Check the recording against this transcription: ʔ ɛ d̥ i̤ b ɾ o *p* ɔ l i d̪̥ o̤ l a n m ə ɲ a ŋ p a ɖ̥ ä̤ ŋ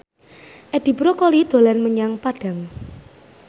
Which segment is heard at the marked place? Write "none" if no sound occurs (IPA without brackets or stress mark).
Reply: k